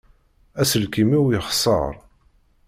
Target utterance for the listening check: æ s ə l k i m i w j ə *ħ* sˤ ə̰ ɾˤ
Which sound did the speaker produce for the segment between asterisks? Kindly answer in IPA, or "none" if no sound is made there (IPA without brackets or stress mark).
χ